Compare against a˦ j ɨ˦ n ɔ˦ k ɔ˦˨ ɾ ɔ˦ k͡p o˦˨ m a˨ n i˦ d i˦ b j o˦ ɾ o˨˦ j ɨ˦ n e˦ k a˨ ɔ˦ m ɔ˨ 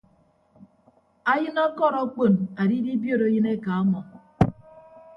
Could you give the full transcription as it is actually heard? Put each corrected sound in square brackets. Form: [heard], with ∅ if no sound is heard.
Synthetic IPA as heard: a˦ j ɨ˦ n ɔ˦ k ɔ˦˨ ɾ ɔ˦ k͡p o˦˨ [n] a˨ [d] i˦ d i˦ b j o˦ ɾ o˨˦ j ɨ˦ n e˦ k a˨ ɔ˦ m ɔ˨